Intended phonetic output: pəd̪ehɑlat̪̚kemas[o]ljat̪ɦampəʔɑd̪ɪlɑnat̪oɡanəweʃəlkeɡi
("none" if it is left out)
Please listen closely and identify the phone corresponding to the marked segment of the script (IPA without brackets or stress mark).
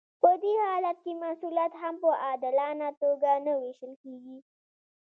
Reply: u